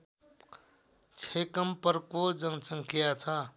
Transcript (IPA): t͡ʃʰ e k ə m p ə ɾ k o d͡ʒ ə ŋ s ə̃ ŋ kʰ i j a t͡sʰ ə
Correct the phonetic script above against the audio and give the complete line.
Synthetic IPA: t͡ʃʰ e k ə m p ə ɾ k o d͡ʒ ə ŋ s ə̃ ŋ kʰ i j a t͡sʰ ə